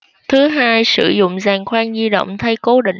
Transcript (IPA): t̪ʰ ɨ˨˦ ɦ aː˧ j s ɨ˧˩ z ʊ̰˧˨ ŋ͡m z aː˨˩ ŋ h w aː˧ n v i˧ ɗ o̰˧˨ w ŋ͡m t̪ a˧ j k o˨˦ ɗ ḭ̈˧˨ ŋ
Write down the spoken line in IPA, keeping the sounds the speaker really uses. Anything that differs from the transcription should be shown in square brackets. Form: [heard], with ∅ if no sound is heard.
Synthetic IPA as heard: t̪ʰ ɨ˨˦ ɦ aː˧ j s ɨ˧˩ z ʊ̰˧˨ ŋ͡m z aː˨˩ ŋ [x] w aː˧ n [z] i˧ ɗ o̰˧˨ w ŋ͡m [t̪ʰ] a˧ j k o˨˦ ɗ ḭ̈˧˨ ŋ